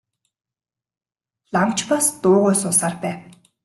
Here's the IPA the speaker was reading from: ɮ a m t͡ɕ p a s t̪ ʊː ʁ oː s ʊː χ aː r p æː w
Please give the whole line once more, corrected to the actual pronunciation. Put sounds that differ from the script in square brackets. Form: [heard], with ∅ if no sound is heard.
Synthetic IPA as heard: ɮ a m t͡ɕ p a s t̪ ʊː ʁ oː s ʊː [s] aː r p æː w